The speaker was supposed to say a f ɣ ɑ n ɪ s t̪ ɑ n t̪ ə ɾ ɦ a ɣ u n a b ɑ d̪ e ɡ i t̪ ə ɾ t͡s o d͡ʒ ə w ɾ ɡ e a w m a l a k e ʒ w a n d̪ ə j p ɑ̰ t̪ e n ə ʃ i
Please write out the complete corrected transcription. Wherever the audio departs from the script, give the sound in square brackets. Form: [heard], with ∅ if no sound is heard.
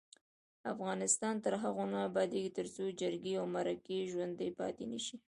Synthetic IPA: a f ɣ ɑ n ɪ s t̪ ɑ n t̪ ə ɾ ɦ a ɣ [o] n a b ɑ d̪ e ɡ i t̪ ə ɾ t͡s o d͡ʒ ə [∅] ɾ ɡ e a w m a [ɾ] a k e ʒ w a n d̪ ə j p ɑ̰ t̪ e n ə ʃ i